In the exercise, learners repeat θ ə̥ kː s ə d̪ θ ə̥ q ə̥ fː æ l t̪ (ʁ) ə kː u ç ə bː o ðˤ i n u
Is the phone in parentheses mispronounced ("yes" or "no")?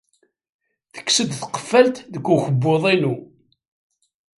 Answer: yes